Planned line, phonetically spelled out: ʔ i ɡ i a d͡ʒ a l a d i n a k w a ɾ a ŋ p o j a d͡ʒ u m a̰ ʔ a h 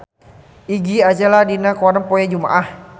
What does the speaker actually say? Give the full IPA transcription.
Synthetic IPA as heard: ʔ i ɡ i a d͡ʒ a l a d i n a k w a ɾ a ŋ p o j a d͡ʒ u m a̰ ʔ a h